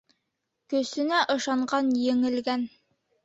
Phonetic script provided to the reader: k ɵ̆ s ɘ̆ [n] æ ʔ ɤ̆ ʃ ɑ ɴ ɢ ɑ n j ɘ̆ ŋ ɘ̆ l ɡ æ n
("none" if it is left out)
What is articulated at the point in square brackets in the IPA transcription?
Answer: n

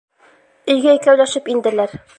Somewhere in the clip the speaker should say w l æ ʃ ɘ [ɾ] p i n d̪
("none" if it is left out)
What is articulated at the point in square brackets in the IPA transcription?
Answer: none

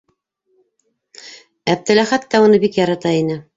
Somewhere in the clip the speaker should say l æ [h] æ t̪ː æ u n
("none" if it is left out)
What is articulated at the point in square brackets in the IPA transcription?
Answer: χ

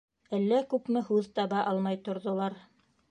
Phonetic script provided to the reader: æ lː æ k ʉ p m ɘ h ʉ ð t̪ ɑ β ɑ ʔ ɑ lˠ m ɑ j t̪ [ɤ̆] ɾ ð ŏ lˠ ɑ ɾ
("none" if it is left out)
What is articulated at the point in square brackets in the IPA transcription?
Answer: ŏ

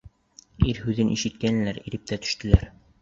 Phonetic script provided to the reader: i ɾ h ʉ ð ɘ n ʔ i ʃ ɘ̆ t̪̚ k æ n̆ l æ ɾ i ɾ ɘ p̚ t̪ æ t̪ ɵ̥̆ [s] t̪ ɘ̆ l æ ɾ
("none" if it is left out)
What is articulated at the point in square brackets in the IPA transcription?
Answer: ʃ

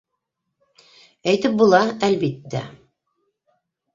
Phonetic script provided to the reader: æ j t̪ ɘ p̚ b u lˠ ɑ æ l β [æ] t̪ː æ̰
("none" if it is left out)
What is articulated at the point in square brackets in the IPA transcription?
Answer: i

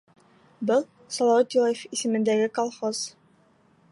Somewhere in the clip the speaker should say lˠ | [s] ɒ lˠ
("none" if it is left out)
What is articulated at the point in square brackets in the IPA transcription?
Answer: s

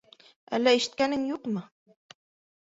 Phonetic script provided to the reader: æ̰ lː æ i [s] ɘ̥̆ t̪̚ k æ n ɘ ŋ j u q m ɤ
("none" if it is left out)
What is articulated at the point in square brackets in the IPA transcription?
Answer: ʃ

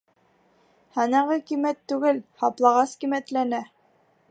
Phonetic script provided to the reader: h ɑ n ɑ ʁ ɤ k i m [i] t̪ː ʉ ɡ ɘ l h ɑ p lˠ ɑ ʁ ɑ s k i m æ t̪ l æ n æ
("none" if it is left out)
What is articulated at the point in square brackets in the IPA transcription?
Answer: æ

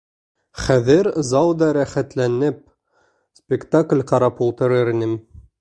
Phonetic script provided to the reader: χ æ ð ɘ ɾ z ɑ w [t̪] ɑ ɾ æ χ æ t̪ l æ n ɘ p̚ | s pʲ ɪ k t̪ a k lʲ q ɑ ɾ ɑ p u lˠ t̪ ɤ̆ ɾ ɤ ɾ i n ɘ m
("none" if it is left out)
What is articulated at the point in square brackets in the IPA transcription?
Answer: d̪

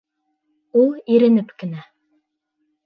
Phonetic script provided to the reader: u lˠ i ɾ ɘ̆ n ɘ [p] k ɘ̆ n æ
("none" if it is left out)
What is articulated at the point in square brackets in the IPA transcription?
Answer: p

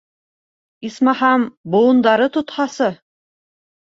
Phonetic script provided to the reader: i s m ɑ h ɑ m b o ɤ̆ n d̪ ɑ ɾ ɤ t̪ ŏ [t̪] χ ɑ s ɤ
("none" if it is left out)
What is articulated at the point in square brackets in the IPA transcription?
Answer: t̪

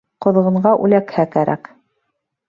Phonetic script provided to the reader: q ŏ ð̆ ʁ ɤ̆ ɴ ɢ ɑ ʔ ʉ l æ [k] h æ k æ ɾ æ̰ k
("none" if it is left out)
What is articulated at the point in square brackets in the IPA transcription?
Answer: k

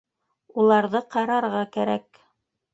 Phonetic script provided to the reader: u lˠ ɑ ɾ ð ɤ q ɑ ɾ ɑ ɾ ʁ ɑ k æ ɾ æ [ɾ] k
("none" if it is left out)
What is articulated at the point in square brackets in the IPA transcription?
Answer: none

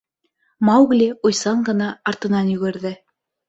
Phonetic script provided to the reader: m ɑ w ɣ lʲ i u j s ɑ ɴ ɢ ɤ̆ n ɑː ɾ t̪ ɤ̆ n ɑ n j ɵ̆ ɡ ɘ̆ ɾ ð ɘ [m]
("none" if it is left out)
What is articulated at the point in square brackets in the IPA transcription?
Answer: none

